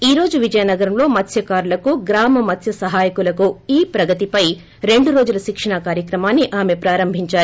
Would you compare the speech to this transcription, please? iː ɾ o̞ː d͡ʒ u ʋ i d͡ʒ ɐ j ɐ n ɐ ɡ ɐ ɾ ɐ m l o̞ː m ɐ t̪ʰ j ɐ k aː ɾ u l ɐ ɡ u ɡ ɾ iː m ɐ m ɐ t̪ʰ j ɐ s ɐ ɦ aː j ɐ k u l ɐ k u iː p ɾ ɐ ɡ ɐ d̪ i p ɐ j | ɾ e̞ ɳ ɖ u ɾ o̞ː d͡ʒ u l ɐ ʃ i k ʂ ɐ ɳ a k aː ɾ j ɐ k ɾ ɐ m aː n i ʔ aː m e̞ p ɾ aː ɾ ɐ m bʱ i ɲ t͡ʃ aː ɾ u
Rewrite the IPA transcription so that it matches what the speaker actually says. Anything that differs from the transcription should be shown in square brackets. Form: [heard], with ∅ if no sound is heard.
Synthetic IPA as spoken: iː ɾ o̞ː d͡ʒ u ʋ i d͡ʒ ɐ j ɐ n ɐ ɡ ɐ ɾ ɐ m l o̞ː m ɐ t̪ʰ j ɐ k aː ɾ u l ɐ [k] u ɡ ɾ [aː] m ɐ m ɐ t̪ʰ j ɐ s ɐ ɦ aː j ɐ k u l ɐ k u iː p ɾ ɐ ɡ ɐ [t̪] i p ɐ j | ɾ e̞ ɳ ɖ u ɾ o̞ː d͡ʒ u l ɐ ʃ i k ʂ ɐ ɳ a k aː ɾ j ɐ k ɾ ɐ m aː [nː] i ʔ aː m e̞ p ɾ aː ɾ ɐ m bʱ i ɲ t͡ʃ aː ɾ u